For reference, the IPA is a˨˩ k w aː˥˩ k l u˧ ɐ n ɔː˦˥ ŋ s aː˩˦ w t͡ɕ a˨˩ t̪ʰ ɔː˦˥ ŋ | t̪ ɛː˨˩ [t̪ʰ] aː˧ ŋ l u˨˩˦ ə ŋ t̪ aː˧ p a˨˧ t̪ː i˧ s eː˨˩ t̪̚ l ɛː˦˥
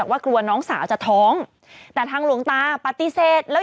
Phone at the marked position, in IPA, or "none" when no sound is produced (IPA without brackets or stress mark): t̪ʰ